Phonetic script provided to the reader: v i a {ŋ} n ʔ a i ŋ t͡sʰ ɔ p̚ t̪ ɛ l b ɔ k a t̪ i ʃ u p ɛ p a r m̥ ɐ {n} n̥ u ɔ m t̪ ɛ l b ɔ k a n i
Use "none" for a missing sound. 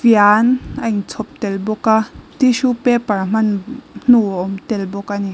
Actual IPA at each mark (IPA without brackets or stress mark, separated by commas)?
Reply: none, n